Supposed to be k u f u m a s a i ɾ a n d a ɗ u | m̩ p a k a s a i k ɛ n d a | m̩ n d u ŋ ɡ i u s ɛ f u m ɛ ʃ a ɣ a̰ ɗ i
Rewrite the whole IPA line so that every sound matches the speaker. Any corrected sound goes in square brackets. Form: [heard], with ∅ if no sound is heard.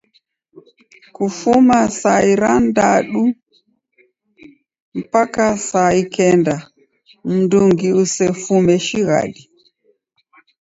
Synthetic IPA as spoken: k u f u m a s a i ɾ a n d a ɗ u | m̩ p a k a s a i k ɛ n d a | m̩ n d u ŋ ɡ i u s ɛ f u m ɛ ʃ [i] ɣ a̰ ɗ i

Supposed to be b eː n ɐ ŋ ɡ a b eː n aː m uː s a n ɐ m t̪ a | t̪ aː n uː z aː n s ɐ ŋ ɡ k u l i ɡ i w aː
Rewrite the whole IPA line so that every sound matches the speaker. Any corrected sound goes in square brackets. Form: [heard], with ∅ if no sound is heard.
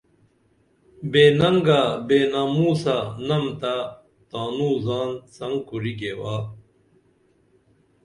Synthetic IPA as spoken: b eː n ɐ ŋ ɡ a b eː n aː m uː s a n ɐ m t̪ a | t̪ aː n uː z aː n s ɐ ŋ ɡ k u [ɾ] i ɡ [e] w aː

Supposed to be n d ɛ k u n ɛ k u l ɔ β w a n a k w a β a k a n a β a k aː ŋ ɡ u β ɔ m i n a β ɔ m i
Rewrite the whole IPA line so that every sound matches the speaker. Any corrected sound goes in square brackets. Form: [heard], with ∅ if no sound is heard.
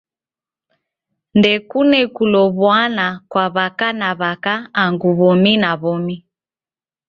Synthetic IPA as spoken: n d ɛ k u n ɛ k u l ɔ β w a n a k w a β a k a n a β a k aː ŋ ɡ u β ɔ m i n a β ɔ m i

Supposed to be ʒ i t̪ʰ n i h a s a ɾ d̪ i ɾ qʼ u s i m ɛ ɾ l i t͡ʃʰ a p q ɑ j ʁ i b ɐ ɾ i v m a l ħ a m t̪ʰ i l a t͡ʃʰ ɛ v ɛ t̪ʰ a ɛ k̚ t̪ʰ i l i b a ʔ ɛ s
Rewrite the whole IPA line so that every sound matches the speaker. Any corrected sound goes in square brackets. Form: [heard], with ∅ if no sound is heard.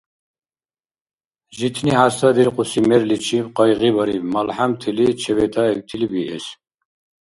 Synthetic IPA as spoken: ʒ i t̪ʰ n i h a s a [∅] d̪ i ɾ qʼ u s i m ɛ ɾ l i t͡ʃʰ [i] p q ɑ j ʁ i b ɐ ɾ i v m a l ħ a m t̪ʰ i l [i] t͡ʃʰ ɛ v ɛ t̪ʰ a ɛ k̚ t̪ʰ i l i b [i] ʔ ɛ s

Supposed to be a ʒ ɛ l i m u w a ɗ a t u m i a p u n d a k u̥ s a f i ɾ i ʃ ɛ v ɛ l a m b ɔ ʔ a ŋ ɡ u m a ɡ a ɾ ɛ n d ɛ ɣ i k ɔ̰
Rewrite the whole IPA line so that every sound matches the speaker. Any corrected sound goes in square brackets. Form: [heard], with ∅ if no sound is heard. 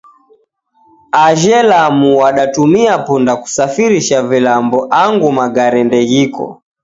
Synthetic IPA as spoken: a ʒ ɛ l [a] m u w a ɗ a t u m i a p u n d a k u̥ s a f i ɾ i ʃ [a] v [i] l a m b ɔ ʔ a ŋ ɡ u m a ɡ a ɾ ɛ n d ɛ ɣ i k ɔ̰

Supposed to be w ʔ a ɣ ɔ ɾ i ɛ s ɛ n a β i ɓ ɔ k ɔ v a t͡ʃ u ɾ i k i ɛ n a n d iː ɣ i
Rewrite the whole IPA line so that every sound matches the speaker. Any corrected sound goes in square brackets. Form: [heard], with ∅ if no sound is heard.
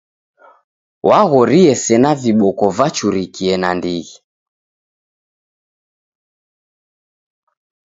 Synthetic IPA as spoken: w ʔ a ɣ ɔ ɾ i ɛ s ɛ n a [v] i ɓ ɔ k ɔ v a t͡ʃ u ɾ i k i ɛ n a n d [i] ɣ i

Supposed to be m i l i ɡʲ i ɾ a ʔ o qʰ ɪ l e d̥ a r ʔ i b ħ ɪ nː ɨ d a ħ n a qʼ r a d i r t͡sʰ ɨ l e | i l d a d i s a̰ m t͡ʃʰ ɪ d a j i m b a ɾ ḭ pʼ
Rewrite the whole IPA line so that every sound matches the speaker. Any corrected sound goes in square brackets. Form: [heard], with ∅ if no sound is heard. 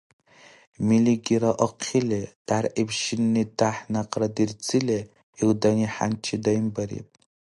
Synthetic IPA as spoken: m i l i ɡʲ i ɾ a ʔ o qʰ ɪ l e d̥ a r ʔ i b [ʃ] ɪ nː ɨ d a ħ n a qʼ r a d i r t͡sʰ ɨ l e | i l d a [n] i [ħ] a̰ [n] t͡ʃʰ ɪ d a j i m b a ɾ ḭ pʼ

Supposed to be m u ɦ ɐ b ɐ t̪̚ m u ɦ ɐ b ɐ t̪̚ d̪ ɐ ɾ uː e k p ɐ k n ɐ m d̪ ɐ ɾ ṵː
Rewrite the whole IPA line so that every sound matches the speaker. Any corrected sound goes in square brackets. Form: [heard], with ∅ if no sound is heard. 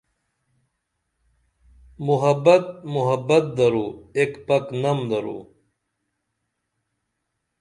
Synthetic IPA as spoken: m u ɦ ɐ b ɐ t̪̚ m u ɦ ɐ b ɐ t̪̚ d̪ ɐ ɾ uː e k p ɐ k n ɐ m d̪ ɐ ɾ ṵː

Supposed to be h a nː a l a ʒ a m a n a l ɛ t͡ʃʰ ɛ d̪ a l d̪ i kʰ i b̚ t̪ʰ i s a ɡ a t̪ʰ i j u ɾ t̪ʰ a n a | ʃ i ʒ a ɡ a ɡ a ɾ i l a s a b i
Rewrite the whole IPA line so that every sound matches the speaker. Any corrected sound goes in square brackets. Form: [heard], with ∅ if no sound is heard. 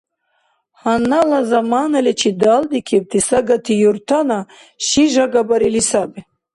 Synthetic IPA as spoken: h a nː a l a [z] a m a n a l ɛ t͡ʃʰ [i] d̪ a l d̪ i kʰ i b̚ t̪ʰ i s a ɡ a t̪ʰ i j u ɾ t̪ʰ a n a | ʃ i ʒ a ɡ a [b] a ɾ i l [i] s a b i

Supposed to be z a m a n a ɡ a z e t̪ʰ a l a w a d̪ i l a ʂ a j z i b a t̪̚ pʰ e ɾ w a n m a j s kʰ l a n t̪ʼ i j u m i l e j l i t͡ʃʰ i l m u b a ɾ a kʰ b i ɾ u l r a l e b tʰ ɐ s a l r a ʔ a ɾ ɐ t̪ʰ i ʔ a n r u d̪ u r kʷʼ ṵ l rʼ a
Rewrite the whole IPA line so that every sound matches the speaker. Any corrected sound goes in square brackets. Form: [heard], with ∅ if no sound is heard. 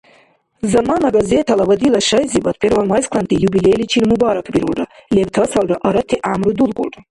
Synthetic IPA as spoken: z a m a n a ɡ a z e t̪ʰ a l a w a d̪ i l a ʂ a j z i b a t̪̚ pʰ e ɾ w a n m a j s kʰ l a n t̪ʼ i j u [b] i l e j l i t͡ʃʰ i l m u b a ɾ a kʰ b i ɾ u l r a l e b tʰ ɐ s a l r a ʔ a ɾ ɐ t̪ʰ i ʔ a [m] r u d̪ u [l] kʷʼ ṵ l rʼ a

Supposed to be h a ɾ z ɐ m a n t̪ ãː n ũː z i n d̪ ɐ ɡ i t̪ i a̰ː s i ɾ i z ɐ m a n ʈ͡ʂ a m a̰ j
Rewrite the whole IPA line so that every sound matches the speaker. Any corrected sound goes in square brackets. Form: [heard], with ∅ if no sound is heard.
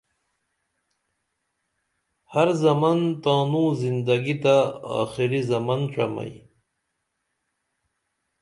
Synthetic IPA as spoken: h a ɾ z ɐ m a n t̪ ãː n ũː z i n d̪ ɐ ɡ i t̪ [a] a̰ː [x] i ɾ i z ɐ m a n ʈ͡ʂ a m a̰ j

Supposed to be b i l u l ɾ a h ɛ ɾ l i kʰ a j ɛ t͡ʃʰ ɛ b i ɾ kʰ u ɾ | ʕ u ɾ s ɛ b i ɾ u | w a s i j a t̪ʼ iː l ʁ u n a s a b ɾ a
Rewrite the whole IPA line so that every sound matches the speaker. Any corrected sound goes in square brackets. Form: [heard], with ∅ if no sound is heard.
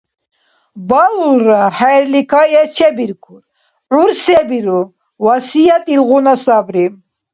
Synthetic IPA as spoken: b [a] l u l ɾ a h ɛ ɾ l i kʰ a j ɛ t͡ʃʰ ɛ b i ɾ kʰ u ɾ | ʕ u ɾ s ɛ b i ɾ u | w a s i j a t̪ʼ [i] l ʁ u n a s a b ɾ [i]

